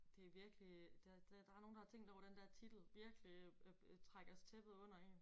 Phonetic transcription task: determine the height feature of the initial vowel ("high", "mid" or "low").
mid